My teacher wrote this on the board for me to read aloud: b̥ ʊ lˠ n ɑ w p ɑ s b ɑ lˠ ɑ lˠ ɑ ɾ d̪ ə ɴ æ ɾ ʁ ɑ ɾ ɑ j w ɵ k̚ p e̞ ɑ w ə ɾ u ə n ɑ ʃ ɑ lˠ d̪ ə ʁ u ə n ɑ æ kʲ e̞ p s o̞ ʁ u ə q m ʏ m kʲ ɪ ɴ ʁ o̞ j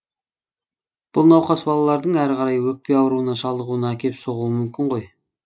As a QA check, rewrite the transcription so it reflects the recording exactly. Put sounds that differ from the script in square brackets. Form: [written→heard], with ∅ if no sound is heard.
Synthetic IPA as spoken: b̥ ʊ lˠ n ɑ w [p→q] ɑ s b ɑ lˠ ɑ lˠ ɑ ɾ d̪ ə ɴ æ ɾ ʁ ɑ ɾ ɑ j w ɵ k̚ p e̞ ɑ w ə ɾ u ə n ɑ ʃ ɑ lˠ d̪ ə ʁ u ə n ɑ æ kʲ e̞ p s o̞ ʁ u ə [q→∅] m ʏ m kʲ ɪ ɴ ʁ o̞ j

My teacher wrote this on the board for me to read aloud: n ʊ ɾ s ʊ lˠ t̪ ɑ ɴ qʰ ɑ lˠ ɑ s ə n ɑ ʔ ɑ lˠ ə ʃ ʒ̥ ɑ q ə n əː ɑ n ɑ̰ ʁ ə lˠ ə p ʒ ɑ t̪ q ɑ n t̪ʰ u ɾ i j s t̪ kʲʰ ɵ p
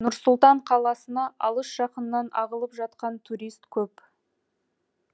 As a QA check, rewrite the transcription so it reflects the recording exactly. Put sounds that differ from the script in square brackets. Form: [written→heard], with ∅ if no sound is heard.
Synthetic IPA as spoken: n ʊ ɾ s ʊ lˠ t̪ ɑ ɴ qʰ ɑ lˠ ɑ s ə n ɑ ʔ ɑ lˠ ə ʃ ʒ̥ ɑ q ə n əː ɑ n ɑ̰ ʁ ə lˠ ə p ʒ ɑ t̪ q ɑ n t̪ʰ u ɾ i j s t̪ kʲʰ ɵ p

